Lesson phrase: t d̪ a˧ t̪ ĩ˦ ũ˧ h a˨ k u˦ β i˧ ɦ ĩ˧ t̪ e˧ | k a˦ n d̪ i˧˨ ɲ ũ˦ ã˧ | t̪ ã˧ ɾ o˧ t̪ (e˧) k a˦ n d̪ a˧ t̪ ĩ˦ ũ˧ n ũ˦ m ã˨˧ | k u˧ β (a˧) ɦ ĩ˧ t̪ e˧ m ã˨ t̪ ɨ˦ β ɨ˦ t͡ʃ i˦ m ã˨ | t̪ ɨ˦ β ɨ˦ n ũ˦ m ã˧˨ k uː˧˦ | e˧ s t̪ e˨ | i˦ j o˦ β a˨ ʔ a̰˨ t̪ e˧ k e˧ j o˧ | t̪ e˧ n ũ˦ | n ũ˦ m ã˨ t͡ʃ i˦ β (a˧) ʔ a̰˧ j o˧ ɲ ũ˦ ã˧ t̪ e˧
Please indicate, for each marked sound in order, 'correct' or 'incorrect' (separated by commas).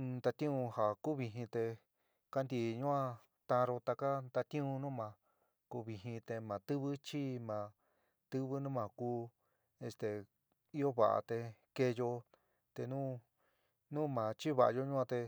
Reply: incorrect, incorrect, correct